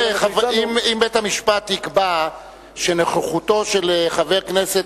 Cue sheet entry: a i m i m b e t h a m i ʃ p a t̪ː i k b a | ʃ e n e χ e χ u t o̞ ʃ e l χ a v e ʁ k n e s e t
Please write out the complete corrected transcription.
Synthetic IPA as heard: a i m i m b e t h a m i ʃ p a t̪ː i k b a | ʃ e n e χ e χ u t o̞ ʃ e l χ a v e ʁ k n e s e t